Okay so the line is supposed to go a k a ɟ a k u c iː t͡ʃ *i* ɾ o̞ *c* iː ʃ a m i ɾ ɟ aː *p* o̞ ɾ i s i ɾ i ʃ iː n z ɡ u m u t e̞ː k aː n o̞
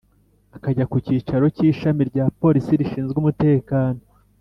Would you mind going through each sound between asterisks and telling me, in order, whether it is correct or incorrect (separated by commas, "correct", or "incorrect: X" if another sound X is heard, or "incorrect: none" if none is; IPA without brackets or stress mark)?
incorrect: a, correct, correct